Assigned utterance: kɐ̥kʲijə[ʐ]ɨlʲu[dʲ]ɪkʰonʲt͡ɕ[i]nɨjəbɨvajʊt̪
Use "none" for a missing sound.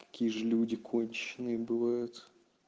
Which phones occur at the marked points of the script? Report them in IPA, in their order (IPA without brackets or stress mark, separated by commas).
ʐ, dʲ, ɪ